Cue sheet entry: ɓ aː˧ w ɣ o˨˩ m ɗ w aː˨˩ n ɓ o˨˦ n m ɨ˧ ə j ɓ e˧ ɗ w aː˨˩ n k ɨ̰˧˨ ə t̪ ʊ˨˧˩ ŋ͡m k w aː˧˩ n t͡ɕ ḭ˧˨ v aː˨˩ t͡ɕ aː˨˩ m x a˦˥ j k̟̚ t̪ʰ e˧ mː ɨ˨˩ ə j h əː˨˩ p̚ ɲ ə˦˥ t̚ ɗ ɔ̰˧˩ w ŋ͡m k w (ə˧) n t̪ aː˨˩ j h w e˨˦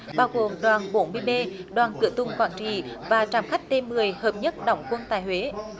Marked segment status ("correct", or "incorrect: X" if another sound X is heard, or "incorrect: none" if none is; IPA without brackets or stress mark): correct